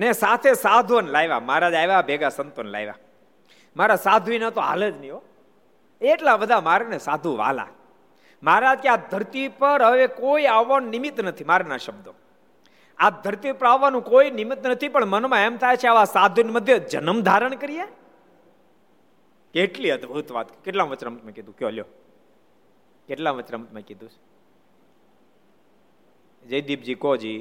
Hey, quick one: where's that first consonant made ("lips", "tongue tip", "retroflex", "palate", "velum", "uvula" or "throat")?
tongue tip